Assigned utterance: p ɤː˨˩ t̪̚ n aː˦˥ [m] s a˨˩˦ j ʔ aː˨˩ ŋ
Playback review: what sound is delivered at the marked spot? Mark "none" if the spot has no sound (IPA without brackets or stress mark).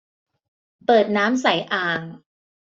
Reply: m